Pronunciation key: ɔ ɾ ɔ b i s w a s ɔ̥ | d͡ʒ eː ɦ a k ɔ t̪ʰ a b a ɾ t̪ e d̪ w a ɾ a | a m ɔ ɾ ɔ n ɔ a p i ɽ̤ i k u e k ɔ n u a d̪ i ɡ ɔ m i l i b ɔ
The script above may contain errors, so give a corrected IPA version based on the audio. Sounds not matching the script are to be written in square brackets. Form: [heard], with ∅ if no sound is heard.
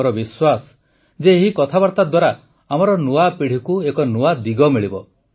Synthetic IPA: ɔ ɾ ɔ b i s w a s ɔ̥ | d͡ʒ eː ɦ [i] k ɔ t̪ʰ a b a ɾ t̪ [a] d̪ w a ɾ a | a m ɔ ɾ ɔ n [u] a p i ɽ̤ i k u e k ɔ n u a d̪ i ɡ ɔ m i [ɭ] i b ɔ